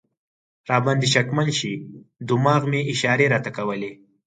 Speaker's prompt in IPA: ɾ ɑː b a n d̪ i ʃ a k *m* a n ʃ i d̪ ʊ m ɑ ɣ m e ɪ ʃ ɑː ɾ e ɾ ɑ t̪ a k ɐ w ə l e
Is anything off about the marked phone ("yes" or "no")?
no